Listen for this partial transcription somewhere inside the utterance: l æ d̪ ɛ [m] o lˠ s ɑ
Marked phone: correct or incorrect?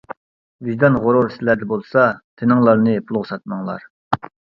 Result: incorrect